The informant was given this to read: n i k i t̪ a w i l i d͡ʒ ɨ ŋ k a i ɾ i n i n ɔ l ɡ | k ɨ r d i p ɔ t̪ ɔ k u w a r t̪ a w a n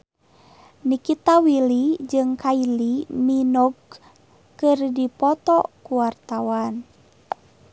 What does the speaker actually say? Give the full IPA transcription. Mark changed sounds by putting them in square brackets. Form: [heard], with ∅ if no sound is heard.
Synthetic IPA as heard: n i k i t̪ a w i l i d͡ʒ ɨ ŋ k a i [l] i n i n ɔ [∅] ɡ | k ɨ r d i p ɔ t̪ ɔ k u w a r t̪ a w a n